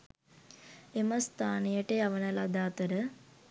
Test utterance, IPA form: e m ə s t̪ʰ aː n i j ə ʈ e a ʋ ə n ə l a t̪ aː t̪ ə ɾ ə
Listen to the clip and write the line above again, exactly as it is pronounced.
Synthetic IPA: e m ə s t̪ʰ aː n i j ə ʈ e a ʋ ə n ə l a d̪ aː t̪ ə ɾ ə

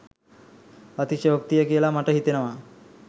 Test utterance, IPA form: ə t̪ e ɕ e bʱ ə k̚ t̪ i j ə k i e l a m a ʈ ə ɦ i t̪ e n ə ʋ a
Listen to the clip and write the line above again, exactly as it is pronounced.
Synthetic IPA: ə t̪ i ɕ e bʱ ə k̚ t̪ i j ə k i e l a m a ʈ ə ɦ i t̪ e n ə ʋ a

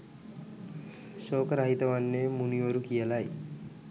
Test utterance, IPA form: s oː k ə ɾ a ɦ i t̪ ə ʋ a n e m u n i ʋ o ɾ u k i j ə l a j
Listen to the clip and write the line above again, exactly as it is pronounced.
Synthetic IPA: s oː k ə ɾ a ɦ i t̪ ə ʋ a nː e m u n i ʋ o ɾ u k i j ə l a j

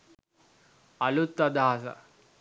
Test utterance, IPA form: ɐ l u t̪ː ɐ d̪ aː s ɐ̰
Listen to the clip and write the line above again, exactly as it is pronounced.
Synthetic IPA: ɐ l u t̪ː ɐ d̪ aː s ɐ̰

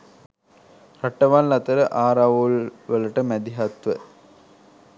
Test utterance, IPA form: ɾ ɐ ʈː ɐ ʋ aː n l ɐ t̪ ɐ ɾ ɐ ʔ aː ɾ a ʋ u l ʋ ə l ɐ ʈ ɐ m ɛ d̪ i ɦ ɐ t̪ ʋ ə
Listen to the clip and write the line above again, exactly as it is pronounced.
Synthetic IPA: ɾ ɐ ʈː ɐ ʋ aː n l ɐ t̪ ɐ ɾ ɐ ʔ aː ɾ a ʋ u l ʋ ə l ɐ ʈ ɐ m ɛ d̪ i ɦ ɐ t̪ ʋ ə

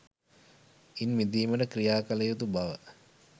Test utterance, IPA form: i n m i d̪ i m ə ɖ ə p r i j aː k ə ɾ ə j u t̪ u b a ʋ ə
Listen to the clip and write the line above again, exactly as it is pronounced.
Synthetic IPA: i n m i d̪ iː m ə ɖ ə k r i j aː k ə l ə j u t̪ u b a ʋ ə

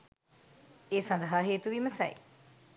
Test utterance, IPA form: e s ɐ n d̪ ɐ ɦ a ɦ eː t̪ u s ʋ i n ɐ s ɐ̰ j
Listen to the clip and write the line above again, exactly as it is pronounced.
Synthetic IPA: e s ɐ n d̪ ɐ ɦ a ɦ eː t̪ u ʋ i m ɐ s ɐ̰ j

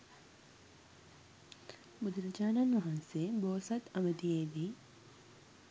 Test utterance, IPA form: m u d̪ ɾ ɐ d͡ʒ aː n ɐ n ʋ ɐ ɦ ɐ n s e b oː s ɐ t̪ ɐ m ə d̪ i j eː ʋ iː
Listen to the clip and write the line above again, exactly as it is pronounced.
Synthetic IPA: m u d̪ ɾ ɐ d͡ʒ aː n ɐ n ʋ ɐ ɦ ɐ n s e b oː s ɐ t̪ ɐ m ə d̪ i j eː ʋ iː

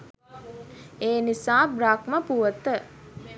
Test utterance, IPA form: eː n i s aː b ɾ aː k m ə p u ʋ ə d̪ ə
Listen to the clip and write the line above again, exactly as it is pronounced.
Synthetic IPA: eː n i s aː b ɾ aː k m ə p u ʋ ə t̪ ə

